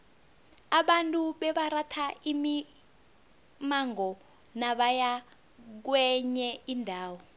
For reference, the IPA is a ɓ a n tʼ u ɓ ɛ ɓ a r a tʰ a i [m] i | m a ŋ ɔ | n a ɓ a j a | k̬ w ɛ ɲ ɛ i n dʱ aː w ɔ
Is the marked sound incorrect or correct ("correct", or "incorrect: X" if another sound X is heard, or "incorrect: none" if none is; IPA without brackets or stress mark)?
correct